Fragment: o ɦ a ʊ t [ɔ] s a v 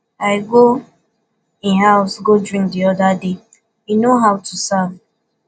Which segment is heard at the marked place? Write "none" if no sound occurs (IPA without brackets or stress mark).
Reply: u